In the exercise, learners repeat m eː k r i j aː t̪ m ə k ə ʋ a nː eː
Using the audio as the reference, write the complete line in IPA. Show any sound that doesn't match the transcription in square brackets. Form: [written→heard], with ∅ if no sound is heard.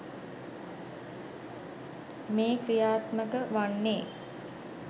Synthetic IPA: m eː k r i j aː t̪ m ə k ə ʋ a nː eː